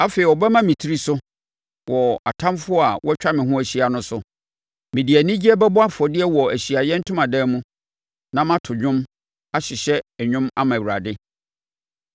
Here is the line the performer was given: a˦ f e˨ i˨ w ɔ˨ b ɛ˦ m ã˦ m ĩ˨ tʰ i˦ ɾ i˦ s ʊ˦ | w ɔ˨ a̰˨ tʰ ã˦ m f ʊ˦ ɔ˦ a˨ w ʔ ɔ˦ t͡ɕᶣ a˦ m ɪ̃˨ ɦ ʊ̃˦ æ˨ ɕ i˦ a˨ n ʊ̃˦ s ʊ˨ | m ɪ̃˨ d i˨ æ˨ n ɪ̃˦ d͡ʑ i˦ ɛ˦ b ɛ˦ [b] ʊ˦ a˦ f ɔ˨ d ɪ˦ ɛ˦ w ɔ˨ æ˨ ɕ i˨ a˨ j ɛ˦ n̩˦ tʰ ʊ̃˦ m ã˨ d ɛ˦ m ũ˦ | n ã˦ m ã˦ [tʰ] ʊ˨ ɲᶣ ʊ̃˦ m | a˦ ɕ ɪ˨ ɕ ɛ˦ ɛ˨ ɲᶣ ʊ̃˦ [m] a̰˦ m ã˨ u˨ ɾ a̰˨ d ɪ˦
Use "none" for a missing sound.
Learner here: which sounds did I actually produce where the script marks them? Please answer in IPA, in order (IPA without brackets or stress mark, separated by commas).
b, tʰ, m